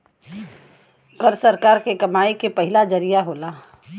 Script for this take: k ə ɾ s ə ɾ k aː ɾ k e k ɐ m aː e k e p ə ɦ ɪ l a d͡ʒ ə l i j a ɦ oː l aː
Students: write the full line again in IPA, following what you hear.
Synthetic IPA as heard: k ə ɾ s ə ɾ k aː ɾ k e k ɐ m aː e k e p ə ɦ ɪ l a d͡ʒ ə ɾ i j a ɦ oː l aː